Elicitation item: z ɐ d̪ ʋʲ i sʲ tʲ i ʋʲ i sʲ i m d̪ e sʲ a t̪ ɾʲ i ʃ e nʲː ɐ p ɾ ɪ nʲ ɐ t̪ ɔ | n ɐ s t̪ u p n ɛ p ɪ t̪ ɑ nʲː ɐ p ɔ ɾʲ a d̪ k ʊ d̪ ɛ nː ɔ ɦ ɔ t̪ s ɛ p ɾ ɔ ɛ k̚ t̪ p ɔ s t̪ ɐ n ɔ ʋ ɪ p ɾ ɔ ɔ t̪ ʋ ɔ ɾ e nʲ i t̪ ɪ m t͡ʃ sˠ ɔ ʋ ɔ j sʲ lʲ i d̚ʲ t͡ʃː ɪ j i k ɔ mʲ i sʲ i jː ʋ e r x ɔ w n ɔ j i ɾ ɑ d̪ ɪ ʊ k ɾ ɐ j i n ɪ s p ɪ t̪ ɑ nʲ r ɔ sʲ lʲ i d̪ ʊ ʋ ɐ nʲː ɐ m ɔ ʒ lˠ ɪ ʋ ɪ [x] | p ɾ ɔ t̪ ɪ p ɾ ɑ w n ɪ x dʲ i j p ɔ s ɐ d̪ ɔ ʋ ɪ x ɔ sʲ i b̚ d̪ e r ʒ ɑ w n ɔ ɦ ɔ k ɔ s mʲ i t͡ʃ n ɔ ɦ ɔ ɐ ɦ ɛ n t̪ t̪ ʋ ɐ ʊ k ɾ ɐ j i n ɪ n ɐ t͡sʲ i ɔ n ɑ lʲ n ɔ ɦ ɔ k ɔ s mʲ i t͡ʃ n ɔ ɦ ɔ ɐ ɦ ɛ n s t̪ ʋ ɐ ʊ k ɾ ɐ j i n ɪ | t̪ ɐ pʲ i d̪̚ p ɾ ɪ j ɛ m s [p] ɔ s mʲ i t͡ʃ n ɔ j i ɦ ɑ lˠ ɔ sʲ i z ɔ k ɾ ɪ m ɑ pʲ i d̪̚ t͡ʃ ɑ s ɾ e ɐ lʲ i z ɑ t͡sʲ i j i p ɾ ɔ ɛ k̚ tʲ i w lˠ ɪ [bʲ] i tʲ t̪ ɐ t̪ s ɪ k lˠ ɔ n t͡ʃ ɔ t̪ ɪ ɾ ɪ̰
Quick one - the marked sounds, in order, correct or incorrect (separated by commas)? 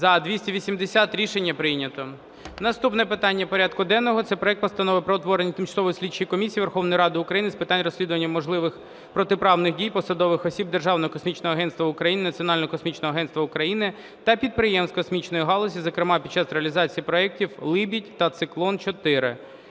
correct, incorrect, correct